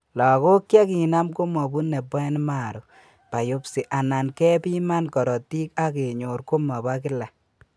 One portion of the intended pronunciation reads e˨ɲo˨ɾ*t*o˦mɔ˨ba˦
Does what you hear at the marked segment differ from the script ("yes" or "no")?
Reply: yes